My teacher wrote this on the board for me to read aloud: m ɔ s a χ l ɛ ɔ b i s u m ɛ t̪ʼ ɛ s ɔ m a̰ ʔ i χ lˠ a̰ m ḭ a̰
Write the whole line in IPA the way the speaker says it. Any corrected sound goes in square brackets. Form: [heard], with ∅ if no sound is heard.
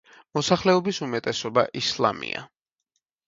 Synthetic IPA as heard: m ɔ s a χ l ɛ ɔ b i s u m ɛ t̪ʼ ɛ s ɔ [b] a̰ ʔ i [s] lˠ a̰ m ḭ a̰